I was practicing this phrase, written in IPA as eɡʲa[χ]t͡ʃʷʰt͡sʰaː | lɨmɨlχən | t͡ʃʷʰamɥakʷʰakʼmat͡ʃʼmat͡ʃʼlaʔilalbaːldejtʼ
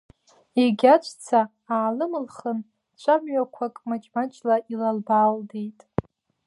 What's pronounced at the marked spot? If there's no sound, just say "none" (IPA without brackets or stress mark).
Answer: none